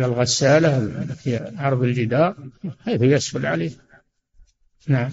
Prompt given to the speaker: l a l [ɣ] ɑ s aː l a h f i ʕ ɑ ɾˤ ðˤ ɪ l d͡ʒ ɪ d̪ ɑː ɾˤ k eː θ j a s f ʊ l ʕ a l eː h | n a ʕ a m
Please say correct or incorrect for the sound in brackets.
correct